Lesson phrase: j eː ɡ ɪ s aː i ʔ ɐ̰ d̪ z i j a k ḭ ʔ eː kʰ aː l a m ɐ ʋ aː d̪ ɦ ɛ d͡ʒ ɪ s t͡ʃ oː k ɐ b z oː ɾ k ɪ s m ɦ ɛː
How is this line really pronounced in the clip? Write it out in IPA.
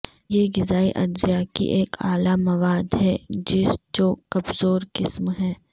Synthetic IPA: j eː ɡ ɪ z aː i ʔ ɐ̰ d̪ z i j a k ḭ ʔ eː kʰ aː l a m ɐ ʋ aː d̪ ɦ ɛ d͡ʒ ɪ s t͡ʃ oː k ɐ b z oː ɾ k ɪ s m ɦ ɛː